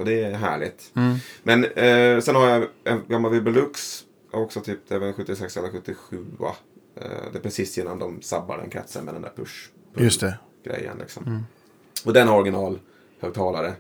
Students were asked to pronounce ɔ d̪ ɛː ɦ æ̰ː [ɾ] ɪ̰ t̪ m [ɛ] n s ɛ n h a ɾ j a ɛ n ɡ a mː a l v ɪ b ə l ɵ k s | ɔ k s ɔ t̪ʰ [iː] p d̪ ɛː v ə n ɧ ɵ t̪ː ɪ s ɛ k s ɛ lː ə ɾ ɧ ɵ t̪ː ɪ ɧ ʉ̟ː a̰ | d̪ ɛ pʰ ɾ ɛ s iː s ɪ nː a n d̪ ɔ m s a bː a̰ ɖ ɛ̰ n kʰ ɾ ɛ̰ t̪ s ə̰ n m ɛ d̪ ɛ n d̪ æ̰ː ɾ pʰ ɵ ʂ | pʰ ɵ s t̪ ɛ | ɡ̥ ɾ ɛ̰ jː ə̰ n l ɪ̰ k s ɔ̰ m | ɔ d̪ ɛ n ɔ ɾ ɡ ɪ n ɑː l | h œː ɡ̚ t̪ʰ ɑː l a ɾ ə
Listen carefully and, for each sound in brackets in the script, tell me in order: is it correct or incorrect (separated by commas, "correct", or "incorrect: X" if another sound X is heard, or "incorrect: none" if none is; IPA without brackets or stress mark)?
incorrect: ɭ, correct, incorrect: yː